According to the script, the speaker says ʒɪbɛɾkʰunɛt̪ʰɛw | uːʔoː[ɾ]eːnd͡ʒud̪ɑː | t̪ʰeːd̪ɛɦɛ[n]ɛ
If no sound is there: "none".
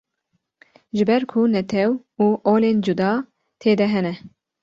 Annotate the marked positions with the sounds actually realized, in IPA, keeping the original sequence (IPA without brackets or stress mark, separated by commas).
l, n